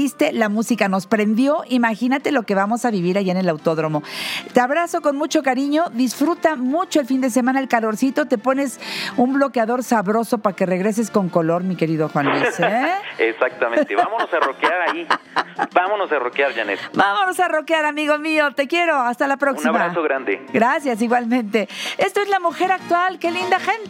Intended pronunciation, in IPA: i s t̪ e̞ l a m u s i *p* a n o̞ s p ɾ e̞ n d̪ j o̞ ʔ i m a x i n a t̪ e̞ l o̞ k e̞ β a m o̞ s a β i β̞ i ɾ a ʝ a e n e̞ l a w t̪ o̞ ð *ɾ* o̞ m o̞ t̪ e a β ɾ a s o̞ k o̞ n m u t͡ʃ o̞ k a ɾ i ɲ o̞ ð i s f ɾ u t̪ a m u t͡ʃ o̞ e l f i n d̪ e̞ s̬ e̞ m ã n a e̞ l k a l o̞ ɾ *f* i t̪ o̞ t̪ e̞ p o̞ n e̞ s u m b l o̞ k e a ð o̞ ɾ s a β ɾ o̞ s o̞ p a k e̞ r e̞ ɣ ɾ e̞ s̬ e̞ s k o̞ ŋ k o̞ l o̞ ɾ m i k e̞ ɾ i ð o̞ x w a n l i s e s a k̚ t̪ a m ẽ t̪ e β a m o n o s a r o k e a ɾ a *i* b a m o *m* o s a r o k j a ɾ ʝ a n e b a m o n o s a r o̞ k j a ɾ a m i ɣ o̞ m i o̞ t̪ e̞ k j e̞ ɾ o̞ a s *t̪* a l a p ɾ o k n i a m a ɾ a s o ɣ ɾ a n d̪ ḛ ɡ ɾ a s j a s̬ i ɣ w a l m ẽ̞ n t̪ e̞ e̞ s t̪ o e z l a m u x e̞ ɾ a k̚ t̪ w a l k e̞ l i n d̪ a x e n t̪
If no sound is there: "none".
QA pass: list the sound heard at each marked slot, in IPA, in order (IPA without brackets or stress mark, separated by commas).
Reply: k, ɾ, s, i, n, t̪